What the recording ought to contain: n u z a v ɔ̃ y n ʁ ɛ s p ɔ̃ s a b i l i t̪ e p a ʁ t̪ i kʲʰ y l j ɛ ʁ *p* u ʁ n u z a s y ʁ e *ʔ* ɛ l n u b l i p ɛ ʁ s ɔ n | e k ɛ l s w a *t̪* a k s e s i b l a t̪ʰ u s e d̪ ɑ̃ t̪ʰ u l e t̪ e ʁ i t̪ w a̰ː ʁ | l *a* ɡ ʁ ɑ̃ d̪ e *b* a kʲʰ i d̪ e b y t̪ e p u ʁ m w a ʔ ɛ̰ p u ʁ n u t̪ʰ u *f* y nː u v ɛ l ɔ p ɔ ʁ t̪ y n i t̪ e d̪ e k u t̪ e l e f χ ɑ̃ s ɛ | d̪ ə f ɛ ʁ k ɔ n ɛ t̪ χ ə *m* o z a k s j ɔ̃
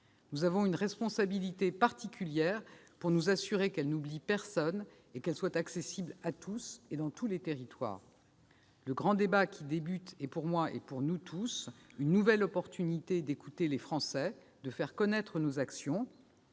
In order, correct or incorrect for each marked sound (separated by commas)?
correct, incorrect, correct, incorrect, correct, incorrect, incorrect